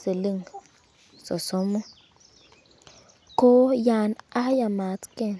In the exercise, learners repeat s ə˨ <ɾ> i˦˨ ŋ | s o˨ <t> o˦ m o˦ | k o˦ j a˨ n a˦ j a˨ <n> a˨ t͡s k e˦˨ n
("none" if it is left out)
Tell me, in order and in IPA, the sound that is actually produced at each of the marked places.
l, s, m

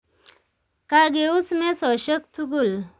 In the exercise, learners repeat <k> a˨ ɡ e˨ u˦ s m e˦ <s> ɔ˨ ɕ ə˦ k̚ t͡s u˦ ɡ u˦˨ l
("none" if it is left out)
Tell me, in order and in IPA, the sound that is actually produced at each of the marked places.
k, s

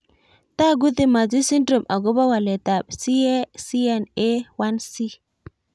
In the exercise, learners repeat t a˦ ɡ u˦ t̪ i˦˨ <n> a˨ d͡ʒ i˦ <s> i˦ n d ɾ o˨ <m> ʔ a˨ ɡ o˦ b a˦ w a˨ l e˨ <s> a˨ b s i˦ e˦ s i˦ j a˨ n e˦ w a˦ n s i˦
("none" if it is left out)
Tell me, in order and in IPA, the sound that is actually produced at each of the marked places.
m, s, m, t

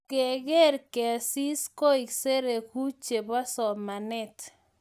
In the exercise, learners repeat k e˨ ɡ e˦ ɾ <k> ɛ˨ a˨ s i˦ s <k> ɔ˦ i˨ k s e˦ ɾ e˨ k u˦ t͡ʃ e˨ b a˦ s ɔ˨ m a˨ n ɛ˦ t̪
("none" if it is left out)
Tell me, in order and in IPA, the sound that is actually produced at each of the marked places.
k, k

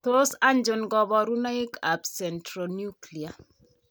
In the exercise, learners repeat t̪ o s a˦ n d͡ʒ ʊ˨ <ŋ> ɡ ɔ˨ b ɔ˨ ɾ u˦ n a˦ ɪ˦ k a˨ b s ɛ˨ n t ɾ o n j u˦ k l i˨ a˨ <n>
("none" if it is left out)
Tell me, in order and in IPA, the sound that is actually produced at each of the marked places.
n, none

